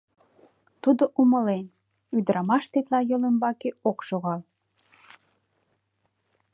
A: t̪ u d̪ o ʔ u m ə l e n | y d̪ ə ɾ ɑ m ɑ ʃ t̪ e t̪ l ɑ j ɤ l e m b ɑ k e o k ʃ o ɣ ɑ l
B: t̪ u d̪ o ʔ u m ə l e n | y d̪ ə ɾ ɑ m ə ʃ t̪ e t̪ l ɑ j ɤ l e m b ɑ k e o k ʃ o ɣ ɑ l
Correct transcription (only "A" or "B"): A